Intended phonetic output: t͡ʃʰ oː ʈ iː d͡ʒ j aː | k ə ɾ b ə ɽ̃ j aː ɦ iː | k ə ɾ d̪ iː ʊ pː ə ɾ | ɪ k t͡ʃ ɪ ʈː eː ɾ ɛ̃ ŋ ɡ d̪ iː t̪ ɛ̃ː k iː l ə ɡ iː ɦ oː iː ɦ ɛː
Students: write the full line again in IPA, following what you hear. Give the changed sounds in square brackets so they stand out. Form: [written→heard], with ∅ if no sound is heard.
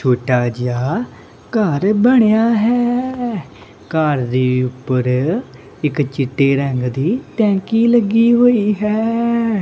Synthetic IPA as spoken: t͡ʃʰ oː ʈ [iː→aː] d͡ʒ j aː | k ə ɾ b ə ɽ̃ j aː ɦ [iː→ɛː] | k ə ɾ d̪ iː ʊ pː ə ɾ | ɪ k t͡ʃ ɪ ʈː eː ɾ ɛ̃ ŋ ɡ d̪ iː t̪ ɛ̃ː k iː l ə ɡ iː ɦ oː iː ɦ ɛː